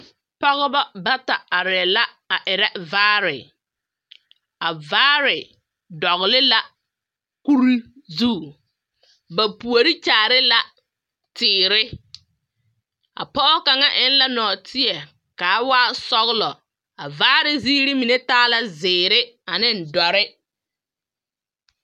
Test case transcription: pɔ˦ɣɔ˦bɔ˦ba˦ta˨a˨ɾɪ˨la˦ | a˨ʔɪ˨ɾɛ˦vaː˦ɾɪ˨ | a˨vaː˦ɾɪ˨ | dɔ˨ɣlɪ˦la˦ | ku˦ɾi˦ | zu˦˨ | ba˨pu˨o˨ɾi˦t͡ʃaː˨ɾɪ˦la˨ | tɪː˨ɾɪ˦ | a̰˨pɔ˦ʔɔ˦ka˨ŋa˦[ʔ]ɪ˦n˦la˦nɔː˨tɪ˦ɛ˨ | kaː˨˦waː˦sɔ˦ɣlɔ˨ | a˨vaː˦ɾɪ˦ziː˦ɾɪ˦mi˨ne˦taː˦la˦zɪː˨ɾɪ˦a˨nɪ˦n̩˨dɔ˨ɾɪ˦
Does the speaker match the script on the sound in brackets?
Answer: yes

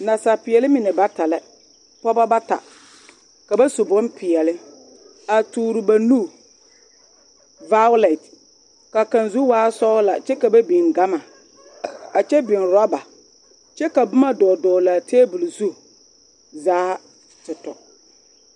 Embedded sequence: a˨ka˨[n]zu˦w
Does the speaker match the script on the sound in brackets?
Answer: yes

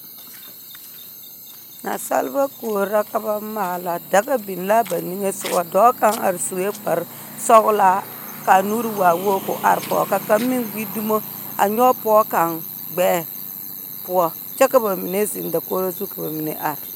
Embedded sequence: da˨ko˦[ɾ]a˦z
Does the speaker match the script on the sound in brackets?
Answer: yes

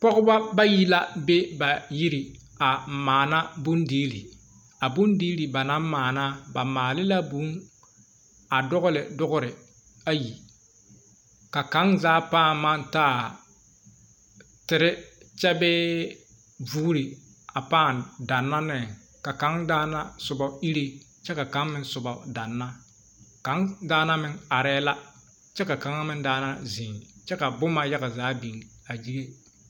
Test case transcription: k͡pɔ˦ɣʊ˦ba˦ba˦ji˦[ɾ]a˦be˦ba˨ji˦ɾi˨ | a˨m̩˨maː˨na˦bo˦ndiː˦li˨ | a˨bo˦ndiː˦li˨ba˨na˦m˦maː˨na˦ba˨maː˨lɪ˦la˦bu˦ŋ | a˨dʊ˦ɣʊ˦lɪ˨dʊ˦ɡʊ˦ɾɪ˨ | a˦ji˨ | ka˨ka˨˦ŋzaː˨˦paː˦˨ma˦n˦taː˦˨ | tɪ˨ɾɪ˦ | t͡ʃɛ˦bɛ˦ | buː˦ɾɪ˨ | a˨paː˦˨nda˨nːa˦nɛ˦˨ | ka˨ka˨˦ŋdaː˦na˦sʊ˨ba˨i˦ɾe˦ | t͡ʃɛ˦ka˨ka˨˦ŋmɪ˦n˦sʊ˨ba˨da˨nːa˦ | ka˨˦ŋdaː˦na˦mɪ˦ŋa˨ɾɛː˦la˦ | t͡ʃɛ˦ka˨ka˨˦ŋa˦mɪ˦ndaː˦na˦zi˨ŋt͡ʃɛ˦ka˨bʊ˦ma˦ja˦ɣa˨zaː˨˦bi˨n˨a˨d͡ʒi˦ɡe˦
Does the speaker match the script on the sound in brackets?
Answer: no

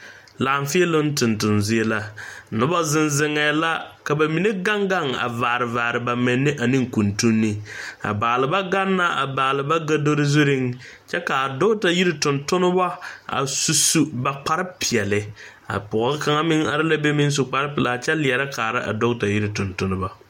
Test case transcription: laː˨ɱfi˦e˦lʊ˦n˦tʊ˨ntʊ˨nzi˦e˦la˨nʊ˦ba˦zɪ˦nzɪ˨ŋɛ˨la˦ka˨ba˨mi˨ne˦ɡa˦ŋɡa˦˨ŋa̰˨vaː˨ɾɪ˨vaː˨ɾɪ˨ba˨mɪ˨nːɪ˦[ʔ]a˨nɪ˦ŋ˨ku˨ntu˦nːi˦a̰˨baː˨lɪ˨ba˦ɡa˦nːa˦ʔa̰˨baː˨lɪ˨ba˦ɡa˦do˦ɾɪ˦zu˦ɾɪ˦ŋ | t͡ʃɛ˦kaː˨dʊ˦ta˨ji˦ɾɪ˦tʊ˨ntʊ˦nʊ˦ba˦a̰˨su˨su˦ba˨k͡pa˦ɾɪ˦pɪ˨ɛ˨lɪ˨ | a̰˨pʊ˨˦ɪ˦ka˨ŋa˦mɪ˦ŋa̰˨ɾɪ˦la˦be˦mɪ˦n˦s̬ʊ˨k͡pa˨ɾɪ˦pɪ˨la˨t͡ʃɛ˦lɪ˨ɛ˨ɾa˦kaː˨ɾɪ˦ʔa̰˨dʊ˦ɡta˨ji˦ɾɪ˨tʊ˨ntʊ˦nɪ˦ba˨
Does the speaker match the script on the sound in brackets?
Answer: yes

